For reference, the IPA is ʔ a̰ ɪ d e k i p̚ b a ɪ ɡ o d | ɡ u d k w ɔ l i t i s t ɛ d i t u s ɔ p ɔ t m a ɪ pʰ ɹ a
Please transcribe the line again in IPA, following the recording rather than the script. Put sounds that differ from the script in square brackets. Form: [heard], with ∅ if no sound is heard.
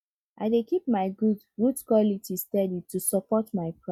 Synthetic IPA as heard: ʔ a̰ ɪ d e k i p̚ [m] a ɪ ɡ [u] d | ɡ u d k w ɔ l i t i s t ɛ d i t u s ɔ p ɔ t m a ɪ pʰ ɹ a